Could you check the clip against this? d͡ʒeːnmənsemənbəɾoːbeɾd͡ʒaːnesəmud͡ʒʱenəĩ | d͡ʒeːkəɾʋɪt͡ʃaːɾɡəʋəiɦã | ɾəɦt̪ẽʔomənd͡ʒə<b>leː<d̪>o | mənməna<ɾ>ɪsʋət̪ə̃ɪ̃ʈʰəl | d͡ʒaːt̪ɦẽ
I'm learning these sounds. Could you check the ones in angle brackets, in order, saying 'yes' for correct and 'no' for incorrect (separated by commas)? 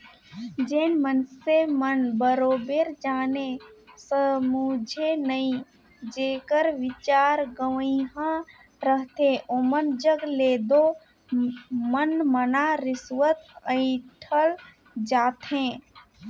no, yes, yes